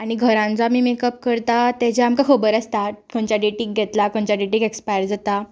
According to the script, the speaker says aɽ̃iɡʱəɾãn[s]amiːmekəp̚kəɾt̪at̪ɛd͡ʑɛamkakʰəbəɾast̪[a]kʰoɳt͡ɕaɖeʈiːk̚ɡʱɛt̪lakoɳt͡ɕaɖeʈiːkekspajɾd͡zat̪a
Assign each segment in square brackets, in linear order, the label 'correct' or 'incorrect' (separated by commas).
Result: incorrect, correct